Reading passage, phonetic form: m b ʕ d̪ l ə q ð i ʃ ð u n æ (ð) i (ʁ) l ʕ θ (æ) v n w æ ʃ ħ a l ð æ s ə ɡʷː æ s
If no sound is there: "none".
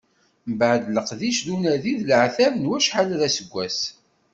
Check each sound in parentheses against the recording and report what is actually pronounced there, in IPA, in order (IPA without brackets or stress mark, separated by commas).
ð, ð, æ